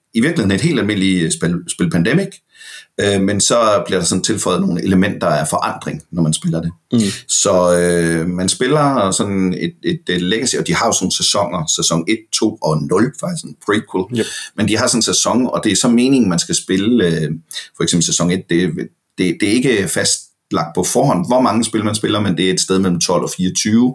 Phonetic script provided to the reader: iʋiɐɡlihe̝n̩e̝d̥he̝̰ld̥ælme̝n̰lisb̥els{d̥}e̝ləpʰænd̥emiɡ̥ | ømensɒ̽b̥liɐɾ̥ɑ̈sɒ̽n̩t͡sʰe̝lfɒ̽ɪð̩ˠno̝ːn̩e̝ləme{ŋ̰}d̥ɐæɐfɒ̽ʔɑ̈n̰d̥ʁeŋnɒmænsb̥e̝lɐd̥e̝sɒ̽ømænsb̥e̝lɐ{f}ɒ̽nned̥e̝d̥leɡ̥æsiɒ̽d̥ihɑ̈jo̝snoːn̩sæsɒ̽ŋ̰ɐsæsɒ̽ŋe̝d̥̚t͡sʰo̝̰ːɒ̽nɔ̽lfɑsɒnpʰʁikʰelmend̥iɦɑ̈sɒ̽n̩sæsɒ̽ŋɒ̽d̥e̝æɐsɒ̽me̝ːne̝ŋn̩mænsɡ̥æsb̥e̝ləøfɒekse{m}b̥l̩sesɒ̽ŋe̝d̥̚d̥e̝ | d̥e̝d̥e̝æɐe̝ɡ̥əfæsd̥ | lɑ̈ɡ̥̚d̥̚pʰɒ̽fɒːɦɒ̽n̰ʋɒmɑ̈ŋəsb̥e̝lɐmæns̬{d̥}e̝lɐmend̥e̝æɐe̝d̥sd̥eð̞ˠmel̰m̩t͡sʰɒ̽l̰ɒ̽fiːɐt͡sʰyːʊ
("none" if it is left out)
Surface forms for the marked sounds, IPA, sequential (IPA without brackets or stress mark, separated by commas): b̥, n̰, s, m, b̥